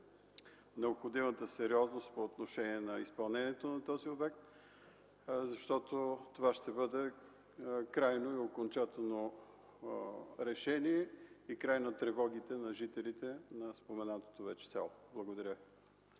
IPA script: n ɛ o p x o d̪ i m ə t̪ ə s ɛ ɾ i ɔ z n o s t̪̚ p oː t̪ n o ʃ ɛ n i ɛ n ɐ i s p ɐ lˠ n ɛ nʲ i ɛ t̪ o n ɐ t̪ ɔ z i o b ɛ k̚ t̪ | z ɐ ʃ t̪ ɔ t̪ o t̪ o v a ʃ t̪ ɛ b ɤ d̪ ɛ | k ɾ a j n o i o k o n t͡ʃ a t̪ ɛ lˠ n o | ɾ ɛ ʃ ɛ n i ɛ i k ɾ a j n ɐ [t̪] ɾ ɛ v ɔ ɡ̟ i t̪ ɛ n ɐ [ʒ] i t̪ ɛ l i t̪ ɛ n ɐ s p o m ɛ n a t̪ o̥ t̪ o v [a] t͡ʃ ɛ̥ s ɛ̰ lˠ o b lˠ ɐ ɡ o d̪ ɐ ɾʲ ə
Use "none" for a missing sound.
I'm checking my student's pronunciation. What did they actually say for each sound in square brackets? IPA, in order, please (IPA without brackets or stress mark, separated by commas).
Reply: t̪, ʒ, ɛ